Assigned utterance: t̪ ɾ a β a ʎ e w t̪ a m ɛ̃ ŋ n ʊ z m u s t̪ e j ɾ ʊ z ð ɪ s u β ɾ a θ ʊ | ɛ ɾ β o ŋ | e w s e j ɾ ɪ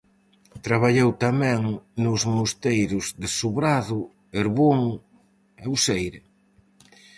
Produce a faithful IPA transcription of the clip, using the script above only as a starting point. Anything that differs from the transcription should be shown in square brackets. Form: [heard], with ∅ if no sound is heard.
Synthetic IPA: t̪ ɾ a β a ʎ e w t̪ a m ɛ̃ ŋ n ʊ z m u s t̪ e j ɾ ʊ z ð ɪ s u β ɾ a [ð] ʊ | [e] ɾ β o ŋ | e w s e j ɾ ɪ